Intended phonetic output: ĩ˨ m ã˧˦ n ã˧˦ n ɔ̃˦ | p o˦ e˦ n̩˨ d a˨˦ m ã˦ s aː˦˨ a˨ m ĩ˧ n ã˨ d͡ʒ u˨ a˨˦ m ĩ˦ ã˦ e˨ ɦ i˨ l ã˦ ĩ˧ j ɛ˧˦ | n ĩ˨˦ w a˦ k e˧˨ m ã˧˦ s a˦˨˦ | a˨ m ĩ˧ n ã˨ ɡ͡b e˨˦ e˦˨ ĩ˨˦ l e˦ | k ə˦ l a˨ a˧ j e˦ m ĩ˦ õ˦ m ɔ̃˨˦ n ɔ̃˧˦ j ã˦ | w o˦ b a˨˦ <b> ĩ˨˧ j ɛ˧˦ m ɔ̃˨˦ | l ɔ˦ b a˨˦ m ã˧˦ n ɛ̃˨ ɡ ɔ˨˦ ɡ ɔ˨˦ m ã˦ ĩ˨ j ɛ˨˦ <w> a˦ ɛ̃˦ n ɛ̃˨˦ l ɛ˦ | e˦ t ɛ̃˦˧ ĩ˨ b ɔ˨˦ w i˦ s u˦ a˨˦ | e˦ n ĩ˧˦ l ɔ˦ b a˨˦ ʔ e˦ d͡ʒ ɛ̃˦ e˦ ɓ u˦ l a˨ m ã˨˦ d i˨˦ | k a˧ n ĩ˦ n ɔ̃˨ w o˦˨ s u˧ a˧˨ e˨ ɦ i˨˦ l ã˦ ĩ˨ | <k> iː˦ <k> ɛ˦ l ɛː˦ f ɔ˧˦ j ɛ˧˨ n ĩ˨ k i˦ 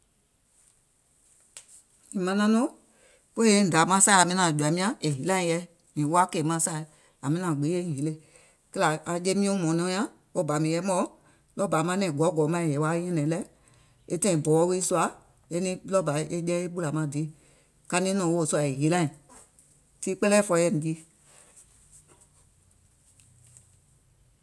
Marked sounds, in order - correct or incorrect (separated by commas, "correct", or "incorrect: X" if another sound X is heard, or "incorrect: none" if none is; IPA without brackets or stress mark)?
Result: incorrect: m, correct, incorrect: t, incorrect: k͡p